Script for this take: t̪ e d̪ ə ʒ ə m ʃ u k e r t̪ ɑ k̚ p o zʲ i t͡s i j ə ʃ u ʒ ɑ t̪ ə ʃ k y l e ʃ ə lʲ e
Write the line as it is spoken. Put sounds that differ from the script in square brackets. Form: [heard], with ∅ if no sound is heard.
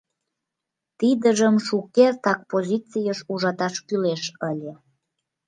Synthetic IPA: t̪ [i] d̪ ə ʒ ə m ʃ u k e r t̪ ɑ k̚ p o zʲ i t͡s i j ə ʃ u ʒ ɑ t̪ [ɑ] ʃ k y l e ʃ ə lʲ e